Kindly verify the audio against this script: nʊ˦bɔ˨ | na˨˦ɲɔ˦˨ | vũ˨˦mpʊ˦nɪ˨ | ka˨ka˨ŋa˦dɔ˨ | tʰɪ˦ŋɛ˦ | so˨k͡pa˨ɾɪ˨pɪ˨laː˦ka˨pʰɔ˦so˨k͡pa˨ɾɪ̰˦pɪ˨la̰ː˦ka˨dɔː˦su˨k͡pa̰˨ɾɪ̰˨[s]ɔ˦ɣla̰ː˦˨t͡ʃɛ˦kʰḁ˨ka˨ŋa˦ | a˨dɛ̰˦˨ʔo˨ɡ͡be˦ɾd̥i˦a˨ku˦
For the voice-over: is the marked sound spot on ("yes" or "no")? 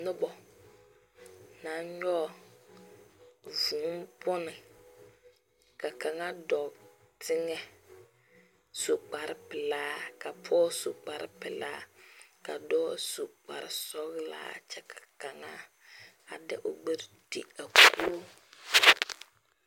yes